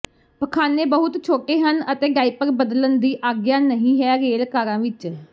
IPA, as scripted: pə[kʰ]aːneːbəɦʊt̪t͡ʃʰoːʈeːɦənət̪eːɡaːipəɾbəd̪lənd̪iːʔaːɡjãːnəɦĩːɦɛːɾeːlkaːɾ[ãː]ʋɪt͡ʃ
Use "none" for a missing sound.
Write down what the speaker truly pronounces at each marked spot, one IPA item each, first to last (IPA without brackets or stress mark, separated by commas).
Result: kʰ, ãː